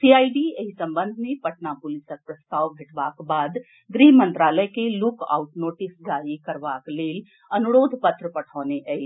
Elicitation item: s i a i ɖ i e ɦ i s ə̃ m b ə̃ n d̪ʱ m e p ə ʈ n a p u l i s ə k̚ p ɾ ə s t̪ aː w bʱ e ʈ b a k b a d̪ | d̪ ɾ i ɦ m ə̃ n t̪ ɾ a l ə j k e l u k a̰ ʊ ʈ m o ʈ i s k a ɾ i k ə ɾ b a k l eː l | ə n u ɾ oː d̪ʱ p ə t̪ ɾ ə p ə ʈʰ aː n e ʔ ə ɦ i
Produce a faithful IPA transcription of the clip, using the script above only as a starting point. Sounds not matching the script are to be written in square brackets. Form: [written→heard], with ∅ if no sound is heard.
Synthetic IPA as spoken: s i a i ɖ i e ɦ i s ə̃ m b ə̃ n d̪ʱ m e p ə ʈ n a p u l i s ə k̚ p ɾ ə s t̪ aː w bʱ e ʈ b a k b a d̪ | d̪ ɾ i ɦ m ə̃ n t̪ ɾ a l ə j k e l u k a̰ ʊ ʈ [m→n] o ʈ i s [k→ɡ] a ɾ i k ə ɾ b a k l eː l | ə n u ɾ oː d̪ʱ p ə t̪ ɾ ə p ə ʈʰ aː n e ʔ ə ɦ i

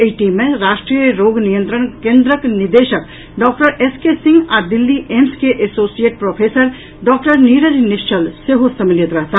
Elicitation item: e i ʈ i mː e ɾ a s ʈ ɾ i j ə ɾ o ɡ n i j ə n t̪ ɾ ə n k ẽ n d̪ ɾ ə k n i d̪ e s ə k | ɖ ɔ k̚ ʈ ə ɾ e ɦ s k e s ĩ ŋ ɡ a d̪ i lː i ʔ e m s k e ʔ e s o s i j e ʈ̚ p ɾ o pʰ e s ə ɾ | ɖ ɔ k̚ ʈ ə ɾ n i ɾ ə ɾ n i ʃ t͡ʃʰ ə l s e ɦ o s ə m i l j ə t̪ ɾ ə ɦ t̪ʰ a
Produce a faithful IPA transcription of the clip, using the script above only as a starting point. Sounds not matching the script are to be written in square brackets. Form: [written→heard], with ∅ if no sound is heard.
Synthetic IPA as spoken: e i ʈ i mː e ɾ a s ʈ ɾ i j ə ɾ o ɡ n i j ə n t̪ ɾ ə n k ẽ n d̪ ɾ ə k n i d̪ e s ə k | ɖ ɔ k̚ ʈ ə ɾ e [ɦ→∅] s k e s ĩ ŋ ɡ a d̪ i lː i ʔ e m s k e ʔ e s o s i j e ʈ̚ p ɾ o pʰ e s ə ɾ | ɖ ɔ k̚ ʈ ə ɾ n i ɾ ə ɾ n i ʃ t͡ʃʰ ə l s e ɦ o s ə m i l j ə t̪ ɾ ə ɦ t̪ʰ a

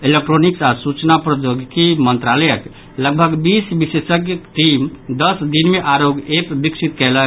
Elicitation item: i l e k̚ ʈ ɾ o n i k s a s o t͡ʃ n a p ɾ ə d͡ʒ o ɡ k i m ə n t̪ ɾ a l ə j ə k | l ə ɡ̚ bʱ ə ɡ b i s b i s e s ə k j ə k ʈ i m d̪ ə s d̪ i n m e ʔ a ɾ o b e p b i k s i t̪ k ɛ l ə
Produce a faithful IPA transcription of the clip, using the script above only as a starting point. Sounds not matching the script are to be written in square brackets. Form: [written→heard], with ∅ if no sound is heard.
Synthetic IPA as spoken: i l e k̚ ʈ ɾ o n i k s a s [o→u] t͡ʃ n a p ɾ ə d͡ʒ o ɡ k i m ə n t̪ ɾ a l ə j ə k | l ə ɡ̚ bʱ ə ɡ b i s b i s e s ə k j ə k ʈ i m d̪ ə s d̪ i n m e ʔ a ɾ o [b→ɡ] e p b i k s i t̪ k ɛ l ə

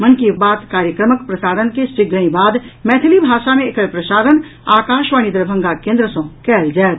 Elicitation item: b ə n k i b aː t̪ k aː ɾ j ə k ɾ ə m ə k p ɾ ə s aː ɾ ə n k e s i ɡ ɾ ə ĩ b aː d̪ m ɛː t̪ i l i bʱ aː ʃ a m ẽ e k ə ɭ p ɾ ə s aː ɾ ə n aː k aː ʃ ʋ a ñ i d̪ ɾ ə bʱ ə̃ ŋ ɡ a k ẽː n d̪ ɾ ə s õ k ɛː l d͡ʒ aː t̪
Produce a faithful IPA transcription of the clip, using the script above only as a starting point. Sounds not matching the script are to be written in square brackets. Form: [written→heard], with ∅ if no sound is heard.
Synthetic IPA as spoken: [b→m] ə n k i b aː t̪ k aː ɾ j ə k ɾ ə m ə k p ɾ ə s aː ɾ ə n k e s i ɡ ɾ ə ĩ b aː d̪ m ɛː [t̪→t̪ʰ] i l i bʱ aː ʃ a m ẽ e k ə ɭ p ɾ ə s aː ɾ ə n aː k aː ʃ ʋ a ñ i d̪ ɾ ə bʱ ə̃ ŋ ɡ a k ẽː n d̪ ɾ ə s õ k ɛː l d͡ʒ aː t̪

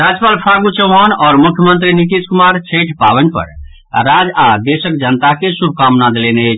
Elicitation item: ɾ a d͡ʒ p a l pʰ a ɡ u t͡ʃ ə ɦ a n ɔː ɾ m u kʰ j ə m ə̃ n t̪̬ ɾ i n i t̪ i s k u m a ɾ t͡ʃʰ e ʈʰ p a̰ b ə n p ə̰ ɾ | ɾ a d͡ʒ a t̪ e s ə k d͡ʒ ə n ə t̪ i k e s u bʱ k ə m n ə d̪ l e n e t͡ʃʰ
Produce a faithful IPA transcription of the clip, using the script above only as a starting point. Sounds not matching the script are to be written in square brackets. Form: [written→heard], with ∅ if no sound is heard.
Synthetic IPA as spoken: ɾ a d͡ʒ p a l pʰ a ɡ u t͡ʃ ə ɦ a n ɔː ɾ m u kʰ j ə m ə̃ n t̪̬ ɾ i n i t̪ i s k u m a ɾ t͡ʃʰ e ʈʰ p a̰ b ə n p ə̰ ɾ | ɾ a d͡ʒ a [t̪→d̪] e s ə k d͡ʒ ə n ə t̪ [i→a] k e s u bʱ k [ə→a] m n [ə→a] d̪ l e n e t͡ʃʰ

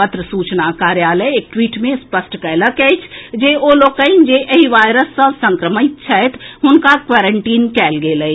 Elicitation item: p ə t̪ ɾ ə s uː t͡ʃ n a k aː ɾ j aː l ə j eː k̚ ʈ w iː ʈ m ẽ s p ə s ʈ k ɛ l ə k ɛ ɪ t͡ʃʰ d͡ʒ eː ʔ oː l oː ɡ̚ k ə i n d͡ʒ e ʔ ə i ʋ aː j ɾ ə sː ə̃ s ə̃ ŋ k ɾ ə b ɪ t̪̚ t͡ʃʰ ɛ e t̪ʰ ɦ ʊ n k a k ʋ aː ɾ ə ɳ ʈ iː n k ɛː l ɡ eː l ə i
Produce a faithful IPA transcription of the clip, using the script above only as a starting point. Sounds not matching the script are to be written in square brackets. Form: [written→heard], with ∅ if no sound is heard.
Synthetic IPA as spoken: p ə t̪ ɾ ə s uː t͡ʃ n a k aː ɾ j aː l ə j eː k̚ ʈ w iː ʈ m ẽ s p ə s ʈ k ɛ l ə k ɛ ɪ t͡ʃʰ d͡ʒ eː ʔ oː l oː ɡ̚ k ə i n d͡ʒ e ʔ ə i ʋ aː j ɾ ə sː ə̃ s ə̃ ŋ k ɾ ə [b→m] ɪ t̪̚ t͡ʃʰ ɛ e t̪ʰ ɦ ʊ n k a k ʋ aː ɾ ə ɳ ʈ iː n k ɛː l ɡ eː l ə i

